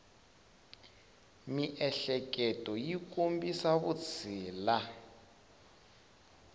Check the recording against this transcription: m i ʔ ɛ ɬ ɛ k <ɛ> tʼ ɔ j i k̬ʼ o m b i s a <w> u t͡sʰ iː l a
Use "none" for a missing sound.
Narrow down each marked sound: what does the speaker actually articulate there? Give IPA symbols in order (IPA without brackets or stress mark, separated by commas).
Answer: ɛ, β